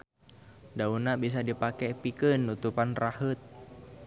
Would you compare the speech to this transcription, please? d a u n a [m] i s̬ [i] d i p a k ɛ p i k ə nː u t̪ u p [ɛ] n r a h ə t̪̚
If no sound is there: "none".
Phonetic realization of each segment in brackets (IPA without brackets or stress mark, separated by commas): b, a, a